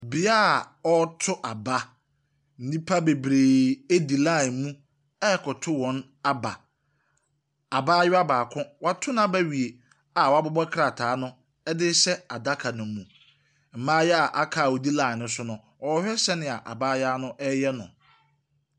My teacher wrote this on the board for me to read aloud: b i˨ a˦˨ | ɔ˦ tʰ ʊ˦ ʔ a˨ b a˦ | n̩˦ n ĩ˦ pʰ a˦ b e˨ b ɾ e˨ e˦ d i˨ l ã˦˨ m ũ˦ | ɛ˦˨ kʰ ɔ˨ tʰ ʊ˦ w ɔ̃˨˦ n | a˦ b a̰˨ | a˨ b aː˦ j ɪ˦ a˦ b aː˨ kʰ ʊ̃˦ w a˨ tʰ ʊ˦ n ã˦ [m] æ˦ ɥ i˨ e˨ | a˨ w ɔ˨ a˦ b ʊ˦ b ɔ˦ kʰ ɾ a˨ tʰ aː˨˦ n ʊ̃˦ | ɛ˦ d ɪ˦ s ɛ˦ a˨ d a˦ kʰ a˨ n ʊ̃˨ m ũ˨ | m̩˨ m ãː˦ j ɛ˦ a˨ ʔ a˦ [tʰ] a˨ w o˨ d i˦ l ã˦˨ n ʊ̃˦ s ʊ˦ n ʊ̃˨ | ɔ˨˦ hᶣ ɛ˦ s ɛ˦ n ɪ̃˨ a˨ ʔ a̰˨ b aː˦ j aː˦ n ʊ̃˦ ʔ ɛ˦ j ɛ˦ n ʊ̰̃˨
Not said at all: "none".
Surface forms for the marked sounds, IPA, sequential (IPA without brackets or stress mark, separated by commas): b, kʰ